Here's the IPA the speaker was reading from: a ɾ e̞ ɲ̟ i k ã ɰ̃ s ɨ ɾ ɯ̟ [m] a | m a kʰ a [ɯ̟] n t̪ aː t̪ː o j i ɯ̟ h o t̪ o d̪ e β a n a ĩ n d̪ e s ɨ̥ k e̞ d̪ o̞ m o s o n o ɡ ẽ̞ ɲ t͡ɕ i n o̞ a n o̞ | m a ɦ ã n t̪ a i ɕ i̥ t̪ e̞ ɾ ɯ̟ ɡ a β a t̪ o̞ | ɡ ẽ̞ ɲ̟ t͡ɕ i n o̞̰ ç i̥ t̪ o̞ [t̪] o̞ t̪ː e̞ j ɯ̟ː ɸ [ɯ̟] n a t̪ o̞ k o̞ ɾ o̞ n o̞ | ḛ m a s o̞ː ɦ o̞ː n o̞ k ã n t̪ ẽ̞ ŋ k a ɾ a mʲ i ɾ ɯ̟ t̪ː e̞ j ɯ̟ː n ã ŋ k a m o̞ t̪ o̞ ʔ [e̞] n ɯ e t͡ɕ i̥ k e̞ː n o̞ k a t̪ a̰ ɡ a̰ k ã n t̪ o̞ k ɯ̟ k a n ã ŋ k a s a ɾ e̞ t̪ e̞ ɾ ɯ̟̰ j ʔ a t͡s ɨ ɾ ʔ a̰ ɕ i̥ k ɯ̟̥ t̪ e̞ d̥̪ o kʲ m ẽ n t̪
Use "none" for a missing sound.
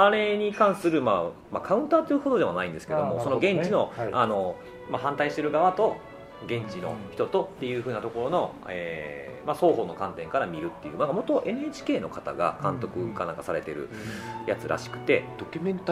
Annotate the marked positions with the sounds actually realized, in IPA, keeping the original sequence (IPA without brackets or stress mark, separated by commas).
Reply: m, ɯ̟̃, t̪, ɯ̟ː, e̞